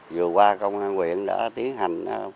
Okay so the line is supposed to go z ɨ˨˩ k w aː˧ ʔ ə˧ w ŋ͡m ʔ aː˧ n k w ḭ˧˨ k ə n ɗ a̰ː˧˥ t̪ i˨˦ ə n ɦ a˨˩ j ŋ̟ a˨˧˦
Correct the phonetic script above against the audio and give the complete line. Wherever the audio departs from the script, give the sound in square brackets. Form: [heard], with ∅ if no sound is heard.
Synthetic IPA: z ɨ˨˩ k w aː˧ [k] ə˧ w ŋ͡m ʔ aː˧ n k w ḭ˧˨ [∅] ə n ɗ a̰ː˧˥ t̪ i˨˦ ə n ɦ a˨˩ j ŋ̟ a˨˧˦